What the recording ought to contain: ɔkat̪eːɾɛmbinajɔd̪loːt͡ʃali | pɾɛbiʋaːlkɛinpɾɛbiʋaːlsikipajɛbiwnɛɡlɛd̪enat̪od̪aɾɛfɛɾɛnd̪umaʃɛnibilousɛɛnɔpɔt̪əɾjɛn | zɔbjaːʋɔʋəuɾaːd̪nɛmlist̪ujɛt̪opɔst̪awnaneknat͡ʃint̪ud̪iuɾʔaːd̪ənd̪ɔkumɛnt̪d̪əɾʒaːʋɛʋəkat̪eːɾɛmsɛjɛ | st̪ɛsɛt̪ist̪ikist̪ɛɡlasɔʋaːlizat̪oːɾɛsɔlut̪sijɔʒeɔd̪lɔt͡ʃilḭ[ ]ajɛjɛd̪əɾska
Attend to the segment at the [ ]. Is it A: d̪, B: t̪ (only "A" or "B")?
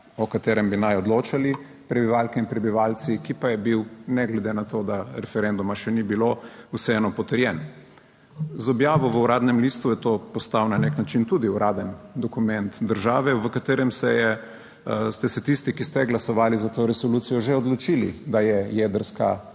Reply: A